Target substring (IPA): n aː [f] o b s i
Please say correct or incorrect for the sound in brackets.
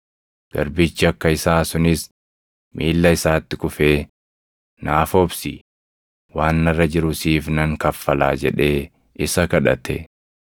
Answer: correct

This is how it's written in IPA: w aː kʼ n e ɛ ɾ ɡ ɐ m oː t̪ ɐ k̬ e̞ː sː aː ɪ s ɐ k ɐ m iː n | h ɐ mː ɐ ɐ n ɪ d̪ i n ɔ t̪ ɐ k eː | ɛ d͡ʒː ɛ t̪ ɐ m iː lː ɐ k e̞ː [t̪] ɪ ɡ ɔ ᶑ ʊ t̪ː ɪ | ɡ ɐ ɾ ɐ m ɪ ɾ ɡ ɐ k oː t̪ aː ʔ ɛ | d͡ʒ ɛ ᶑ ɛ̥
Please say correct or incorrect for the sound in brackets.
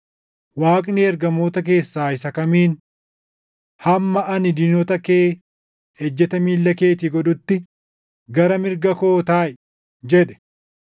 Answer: correct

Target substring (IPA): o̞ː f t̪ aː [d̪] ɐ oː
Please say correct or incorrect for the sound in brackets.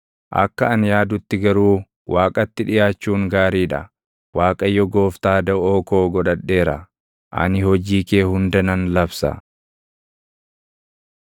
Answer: correct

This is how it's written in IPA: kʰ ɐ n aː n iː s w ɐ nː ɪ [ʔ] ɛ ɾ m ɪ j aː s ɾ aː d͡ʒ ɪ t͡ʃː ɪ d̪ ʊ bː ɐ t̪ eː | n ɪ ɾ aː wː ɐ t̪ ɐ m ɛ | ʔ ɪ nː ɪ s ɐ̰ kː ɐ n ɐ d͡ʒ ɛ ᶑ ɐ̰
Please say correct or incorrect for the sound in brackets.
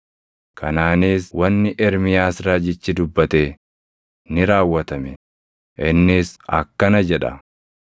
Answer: correct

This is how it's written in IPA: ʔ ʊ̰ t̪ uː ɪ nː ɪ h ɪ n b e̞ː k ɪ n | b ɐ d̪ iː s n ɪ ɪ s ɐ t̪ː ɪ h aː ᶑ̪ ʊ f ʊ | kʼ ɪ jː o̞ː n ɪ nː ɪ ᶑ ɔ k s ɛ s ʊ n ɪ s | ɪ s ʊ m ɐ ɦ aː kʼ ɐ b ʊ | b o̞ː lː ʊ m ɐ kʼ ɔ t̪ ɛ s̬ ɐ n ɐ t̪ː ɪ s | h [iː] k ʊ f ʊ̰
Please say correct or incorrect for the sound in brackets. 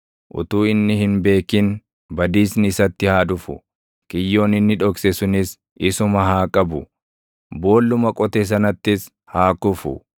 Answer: incorrect: aː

